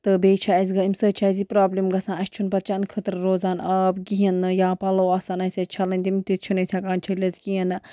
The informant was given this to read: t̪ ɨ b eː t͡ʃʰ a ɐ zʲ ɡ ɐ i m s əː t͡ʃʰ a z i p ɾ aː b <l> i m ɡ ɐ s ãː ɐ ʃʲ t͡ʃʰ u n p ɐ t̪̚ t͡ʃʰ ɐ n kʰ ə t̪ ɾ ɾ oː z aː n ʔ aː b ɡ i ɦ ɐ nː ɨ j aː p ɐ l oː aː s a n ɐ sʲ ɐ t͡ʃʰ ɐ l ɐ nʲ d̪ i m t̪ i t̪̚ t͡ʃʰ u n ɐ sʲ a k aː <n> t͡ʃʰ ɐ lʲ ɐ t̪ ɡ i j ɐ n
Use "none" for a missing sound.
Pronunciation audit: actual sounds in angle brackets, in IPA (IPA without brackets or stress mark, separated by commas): l, n